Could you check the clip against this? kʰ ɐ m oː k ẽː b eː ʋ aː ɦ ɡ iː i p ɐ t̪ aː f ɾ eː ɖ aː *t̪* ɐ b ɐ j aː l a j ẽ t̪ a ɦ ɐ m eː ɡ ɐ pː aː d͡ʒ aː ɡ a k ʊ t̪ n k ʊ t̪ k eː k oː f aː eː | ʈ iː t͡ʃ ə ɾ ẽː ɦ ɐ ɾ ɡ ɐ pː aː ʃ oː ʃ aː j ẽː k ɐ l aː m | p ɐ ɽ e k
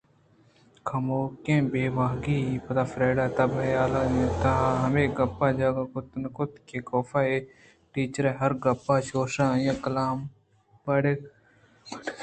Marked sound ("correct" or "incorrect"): correct